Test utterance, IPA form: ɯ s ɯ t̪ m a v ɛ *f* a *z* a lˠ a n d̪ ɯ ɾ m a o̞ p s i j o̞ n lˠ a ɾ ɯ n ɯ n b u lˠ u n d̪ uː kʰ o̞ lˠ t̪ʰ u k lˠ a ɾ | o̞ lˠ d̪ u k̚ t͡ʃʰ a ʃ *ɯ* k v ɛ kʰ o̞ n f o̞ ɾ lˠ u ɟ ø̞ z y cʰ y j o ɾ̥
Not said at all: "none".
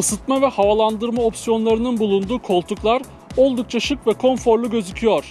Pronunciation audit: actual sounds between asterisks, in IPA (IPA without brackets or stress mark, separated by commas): h, v, ɯ